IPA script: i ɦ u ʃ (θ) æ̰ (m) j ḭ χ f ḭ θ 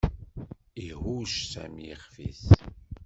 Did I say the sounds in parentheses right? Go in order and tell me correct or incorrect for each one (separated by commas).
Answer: incorrect, correct